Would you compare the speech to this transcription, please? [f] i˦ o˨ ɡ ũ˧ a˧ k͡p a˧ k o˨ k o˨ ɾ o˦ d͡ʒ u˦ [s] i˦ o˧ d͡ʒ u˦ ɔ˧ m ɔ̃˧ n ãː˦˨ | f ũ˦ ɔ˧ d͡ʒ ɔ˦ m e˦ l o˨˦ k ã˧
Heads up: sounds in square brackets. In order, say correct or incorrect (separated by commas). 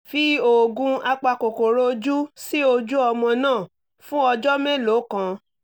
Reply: correct, correct